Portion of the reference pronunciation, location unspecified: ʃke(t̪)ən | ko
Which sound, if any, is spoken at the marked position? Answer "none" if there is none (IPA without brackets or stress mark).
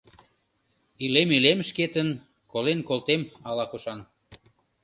t̪